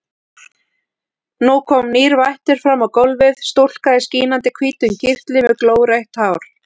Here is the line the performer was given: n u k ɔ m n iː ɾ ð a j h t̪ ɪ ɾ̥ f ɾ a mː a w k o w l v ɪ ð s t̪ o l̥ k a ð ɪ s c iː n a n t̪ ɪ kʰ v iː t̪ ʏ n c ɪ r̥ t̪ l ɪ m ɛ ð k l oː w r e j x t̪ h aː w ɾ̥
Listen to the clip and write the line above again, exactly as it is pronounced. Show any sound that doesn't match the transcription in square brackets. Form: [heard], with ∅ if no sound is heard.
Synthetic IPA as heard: n u [kʰ] ɔ m n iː ɾ [v] a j h t̪ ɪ ɾ̥ f ɾ a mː a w k o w l v ɪ ð s t̪ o l̥ k a ð ɪ s c iː n a n t̪ ɪ kʰ v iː t̪ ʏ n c ɪ r̥ t̪ l ɪ m ɛ ð k l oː w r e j [h] t̪ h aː w ɾ̥